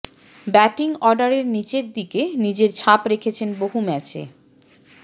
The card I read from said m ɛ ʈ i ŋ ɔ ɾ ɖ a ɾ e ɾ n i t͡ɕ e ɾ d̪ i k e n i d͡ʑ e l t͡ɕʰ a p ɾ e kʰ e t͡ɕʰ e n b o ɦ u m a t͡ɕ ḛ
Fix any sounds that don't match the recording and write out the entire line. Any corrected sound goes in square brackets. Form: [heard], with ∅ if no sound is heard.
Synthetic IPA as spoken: [b] ɛ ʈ i ŋ ɔ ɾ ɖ a ɾ e ɾ n i t͡ɕ e ɾ d̪ i k e n i d͡ʑ e [ɾ] t͡ɕʰ a p ɾ e kʰ e t͡ɕʰ e n b o ɦ u m [ɛ] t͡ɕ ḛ